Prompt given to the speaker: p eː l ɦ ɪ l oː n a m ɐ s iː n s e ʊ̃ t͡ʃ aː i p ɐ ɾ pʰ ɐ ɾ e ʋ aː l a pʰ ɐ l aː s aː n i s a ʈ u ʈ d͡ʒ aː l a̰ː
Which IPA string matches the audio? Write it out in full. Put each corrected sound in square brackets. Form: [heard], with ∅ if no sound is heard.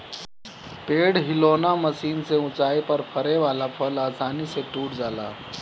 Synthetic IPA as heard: p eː [ɽ] ɦ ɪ l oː n a m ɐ s iː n s e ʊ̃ t͡ʃ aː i p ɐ ɾ pʰ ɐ ɾ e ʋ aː l a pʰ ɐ l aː s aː n i s [e] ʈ [uː] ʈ d͡ʒ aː l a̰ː